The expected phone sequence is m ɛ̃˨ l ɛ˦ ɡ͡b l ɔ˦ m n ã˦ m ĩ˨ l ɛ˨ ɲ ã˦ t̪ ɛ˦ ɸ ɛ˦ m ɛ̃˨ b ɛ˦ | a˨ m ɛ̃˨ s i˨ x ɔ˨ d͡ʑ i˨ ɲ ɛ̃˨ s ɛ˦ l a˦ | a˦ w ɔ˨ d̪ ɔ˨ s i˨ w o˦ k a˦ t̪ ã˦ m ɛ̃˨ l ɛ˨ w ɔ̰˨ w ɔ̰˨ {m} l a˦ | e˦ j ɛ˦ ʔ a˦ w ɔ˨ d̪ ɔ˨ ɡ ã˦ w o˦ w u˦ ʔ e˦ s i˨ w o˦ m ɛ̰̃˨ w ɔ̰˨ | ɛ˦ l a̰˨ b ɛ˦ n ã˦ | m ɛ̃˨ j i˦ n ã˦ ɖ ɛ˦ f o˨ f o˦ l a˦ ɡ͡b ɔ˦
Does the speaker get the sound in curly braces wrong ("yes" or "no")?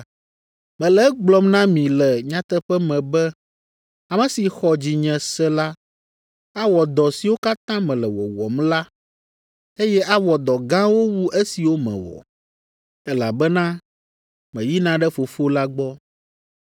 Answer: no